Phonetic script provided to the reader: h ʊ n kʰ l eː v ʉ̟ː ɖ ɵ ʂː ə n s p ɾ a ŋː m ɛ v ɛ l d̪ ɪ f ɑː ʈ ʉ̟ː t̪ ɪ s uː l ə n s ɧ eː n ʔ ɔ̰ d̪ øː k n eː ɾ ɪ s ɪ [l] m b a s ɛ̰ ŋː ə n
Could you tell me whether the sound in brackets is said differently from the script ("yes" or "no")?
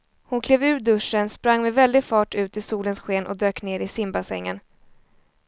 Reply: yes